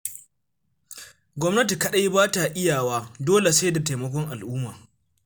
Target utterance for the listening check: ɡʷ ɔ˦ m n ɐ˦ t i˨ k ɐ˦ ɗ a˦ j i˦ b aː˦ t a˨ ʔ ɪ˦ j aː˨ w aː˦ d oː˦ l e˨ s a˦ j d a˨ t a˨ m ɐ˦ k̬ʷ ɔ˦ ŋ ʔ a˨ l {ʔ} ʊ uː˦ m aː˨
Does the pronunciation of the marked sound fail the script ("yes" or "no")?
no